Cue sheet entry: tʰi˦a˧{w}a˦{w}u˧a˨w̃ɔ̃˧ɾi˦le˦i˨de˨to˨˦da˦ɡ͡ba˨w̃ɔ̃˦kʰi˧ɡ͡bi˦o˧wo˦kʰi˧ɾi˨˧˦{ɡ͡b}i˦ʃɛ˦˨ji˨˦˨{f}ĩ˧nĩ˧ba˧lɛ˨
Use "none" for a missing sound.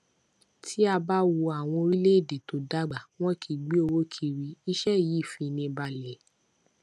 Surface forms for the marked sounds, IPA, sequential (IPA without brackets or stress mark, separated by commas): b, w, none, f